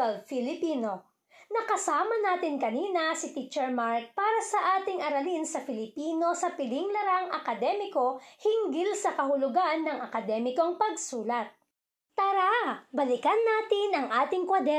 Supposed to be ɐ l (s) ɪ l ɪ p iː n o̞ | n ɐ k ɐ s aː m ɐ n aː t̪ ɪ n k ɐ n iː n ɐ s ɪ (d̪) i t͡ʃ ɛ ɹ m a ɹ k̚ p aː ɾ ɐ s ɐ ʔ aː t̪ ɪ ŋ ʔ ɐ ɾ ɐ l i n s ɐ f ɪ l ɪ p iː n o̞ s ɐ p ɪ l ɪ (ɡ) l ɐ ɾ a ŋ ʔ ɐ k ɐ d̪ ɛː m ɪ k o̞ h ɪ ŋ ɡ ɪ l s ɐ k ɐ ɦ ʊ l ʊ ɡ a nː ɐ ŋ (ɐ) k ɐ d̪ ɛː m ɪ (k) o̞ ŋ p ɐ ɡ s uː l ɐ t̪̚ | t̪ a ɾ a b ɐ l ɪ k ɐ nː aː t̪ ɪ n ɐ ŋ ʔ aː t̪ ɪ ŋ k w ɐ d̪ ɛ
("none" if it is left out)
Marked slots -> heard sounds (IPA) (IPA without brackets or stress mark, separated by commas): f, t̪, ŋ, ɐ, k